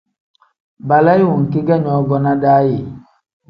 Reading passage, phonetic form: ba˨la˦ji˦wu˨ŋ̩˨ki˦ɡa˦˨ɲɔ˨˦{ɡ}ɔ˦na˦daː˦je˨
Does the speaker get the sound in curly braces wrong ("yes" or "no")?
no